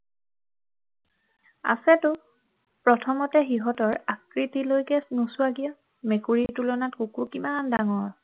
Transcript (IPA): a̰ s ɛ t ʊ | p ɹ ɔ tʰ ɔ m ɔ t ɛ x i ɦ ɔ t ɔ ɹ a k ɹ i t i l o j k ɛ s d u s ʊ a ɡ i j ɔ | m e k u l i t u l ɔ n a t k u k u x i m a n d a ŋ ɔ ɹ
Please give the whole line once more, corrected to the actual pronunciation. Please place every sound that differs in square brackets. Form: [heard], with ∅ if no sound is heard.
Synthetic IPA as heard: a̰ s ɛ t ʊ | p ɹ ɔ tʰ ɔ m ɔ t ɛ x i ɦ ɔ t ɔ ɹ a k ɹ i t i l o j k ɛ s [n] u s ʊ a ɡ i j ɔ | m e k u [ɹ] i t u l ɔ n a t k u k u [k] i m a n d a ŋ ɔ ɹ

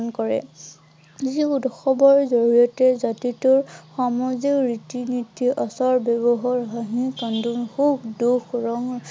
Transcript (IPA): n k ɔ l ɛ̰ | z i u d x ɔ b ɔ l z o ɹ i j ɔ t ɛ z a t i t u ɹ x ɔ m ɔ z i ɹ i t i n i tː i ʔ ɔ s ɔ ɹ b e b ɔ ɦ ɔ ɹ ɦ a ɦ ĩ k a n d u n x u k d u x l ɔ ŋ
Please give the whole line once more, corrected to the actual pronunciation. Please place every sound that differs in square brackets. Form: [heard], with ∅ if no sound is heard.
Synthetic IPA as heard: n k ɔ [ɹ] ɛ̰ | z i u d x ɔ b ɔ [ɹ] z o ɹ i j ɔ t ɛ z a t i t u ɹ x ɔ m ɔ z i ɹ i t i n i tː i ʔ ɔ s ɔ ɹ b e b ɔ ɦ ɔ ɹ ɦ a ɦ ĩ k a n d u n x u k d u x [ɹ] ɔ ŋ

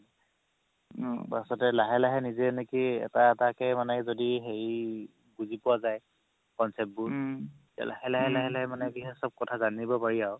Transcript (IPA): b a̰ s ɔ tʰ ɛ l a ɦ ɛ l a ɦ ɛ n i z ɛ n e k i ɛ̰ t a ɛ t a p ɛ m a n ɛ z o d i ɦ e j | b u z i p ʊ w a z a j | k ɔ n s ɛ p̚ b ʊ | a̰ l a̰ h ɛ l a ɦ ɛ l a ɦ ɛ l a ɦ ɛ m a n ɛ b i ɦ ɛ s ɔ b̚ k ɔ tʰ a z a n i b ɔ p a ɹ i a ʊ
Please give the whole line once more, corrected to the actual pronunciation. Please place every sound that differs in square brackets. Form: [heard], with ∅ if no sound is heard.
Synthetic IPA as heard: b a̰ s ɔ [t] ɛ l a ɦ ɛ l a ɦ ɛ n i z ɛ n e k i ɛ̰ t a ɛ t a [k] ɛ m a n ɛ z o d i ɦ e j | b u z i p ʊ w a z a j | k ɔ n s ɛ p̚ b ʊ | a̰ l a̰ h ɛ l a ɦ ɛ l a ɦ ɛ l a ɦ ɛ m a n ɛ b i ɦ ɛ s ɔ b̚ k ɔ tʰ a z a n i b ɔ p a ɹ i a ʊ

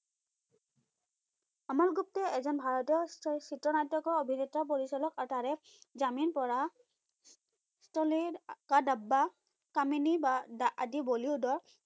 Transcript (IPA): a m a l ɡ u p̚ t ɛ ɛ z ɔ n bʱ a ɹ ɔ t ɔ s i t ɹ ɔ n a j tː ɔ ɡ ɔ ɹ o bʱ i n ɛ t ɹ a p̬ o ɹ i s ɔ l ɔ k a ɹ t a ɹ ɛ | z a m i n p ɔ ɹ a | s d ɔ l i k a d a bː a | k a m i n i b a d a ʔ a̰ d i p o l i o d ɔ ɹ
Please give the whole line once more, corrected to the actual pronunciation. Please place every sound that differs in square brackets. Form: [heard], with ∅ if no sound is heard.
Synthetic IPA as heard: a m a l ɡ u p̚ t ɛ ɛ z ɔ n bʱ a ɹ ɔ t ɔ s i t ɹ ɔ n a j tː ɔ [k] ɔ ɹ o bʱ i n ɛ t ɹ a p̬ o ɹ i s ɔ l ɔ k a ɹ t a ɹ ɛ | z a m i n p ɔ ɹ a | s [t] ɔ l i k a d a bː a | k a m i n i b a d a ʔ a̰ d i [b] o l i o d ɔ ɹ

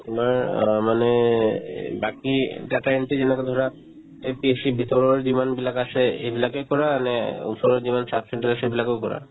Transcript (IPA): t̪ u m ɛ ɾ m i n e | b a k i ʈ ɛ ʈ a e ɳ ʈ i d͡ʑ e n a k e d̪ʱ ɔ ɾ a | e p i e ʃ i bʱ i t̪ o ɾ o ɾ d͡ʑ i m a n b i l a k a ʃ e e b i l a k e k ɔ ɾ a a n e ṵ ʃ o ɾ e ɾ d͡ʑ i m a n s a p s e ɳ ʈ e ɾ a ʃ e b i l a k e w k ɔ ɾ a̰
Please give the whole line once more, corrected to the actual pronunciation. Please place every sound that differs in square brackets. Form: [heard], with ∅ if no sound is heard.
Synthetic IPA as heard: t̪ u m [a] ɾ m [a] n e | b a k i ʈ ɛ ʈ a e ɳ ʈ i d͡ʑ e n a k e d̪ʱ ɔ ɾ a | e p i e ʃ i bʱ i t̪ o ɾ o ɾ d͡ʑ i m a n b i l a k a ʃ e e b i l a k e k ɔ ɾ a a n e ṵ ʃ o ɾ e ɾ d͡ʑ i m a n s a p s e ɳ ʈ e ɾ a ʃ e b i l a k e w k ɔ ɾ a̰

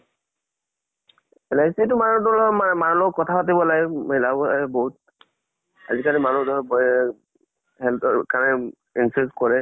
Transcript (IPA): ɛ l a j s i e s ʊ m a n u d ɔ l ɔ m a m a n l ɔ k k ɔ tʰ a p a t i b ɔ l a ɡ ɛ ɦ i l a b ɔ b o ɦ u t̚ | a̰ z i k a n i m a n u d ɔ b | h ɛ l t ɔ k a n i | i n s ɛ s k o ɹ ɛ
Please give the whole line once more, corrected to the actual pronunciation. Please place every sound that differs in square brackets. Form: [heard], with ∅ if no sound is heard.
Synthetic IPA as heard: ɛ l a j s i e [t] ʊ m a n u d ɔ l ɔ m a m a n l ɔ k k ɔ tʰ a p a t i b ɔ l a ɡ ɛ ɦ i l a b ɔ b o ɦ u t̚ | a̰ z i k a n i m a n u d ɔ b | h ɛ l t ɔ k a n [ɛ] | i n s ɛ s k [ɔ] ɹ ɛ

